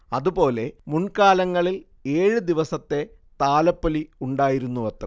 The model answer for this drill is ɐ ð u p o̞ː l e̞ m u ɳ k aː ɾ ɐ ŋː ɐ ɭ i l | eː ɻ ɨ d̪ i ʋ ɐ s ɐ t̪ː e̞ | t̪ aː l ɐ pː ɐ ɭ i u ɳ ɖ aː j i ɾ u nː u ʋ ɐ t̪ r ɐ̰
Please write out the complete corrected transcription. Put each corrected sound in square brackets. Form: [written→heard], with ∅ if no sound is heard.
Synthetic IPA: ɐ ð u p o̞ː l e̞ m u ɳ k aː [ɾ→l] ɐ ŋː ɐ ɭ i l | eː ɻ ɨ d̪ i ʋ ɐ s ɐ t̪ː e̞ | t̪ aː l ɐ pː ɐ [ɭ→l] i u ɳ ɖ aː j i ɾ u nː u ʋ ɐ t̪ r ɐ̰